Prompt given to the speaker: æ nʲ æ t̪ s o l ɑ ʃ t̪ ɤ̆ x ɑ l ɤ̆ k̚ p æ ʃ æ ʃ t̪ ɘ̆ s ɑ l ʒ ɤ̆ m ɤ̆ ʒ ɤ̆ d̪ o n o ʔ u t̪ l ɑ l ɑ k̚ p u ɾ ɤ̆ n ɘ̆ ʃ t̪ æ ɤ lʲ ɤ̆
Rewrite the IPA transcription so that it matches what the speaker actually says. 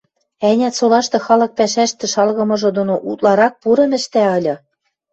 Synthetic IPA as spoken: æ nʲ æ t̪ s o l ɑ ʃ t̪ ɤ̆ x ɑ l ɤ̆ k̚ p æ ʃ æ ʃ t̪ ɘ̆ ʃ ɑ l ɣ ɤ̆ m ɤ̆ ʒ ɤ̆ d̪ o n o ʔ u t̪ l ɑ ɾ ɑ k̚ p u ɾ ɤ̆ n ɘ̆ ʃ t̪ æ ɤ lʲ ɤ̆